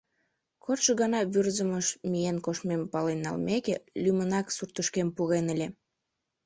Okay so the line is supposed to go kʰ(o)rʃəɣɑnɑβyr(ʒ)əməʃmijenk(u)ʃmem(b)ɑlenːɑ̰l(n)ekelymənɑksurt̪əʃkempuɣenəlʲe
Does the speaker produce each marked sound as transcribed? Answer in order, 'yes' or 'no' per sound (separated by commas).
yes, no, no, no, no